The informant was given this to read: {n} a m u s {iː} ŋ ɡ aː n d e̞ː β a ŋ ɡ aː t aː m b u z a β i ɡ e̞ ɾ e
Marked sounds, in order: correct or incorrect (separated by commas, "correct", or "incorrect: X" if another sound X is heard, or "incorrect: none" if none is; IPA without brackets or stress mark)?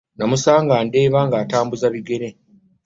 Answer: correct, incorrect: aː